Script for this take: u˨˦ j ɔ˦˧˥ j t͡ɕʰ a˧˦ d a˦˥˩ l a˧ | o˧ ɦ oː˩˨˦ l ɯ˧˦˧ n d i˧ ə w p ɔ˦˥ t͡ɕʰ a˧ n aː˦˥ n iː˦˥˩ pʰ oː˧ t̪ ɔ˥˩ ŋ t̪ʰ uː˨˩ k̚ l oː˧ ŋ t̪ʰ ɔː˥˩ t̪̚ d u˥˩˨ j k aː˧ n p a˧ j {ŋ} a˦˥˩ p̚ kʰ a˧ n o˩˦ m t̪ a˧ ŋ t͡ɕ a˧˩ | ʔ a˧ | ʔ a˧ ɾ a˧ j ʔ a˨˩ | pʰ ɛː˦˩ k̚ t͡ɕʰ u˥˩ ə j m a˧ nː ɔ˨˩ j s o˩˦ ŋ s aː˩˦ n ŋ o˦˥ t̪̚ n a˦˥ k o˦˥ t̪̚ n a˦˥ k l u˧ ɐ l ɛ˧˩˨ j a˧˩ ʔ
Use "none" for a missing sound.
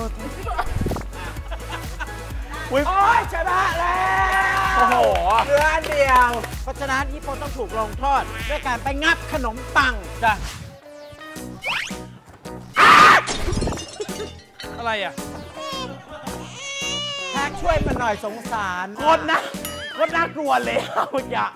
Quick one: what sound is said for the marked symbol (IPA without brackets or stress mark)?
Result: ŋ